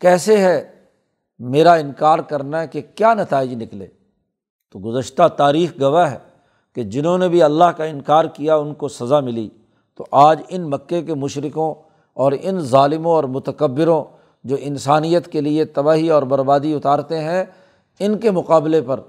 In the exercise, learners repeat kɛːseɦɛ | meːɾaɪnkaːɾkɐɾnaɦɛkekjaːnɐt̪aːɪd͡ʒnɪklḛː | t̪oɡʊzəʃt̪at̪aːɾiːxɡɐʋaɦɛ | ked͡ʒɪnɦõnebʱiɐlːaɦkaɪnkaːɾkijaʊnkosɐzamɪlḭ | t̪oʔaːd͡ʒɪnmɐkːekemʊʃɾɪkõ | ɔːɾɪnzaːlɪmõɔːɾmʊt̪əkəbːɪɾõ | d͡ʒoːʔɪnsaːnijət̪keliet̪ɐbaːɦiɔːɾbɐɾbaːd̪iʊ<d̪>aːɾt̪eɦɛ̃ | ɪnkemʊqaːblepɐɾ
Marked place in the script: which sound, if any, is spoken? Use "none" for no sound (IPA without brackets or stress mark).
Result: t̪